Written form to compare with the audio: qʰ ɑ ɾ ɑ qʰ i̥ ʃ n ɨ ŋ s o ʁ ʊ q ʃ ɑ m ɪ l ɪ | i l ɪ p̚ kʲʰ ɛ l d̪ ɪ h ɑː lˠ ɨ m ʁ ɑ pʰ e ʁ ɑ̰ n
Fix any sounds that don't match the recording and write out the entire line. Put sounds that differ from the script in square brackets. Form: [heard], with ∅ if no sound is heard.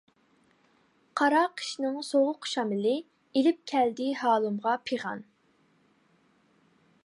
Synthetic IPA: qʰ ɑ ɾ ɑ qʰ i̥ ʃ n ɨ ŋ s o ʁ ʊ q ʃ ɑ m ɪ l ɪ | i l ɪ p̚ kʲʰ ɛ l d̪ ɪ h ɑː lˠ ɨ m ʁ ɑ pʰ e ʁ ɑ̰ n